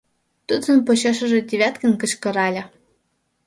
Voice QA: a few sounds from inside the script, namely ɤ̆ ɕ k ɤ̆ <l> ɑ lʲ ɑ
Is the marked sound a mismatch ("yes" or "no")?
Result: yes